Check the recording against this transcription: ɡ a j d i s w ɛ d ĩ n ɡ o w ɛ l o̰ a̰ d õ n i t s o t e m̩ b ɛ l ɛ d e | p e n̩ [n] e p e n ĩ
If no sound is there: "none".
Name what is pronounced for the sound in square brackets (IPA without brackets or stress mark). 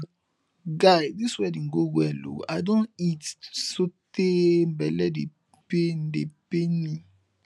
d